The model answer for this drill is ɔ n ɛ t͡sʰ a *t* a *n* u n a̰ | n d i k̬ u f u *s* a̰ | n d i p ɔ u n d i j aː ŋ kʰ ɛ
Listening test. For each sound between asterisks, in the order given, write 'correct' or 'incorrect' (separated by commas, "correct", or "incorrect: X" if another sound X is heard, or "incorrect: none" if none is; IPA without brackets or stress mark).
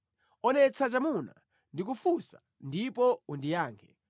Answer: incorrect: t͡ʃ, incorrect: m, correct